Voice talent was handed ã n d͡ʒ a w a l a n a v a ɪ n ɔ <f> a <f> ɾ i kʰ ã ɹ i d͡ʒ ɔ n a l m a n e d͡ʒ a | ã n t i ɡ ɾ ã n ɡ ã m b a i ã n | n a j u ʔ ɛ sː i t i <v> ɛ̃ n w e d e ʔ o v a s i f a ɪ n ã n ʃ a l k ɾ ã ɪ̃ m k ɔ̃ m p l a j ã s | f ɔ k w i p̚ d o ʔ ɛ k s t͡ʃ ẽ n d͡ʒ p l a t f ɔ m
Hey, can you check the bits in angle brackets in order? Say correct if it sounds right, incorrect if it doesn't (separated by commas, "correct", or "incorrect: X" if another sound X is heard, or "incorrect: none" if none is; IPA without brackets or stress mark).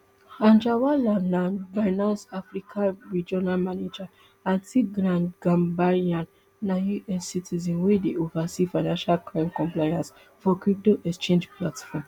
incorrect: s, correct, incorrect: z